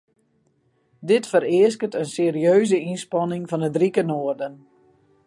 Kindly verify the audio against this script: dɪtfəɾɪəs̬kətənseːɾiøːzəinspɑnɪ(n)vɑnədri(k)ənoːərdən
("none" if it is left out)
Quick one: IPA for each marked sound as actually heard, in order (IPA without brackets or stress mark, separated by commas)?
ŋ, k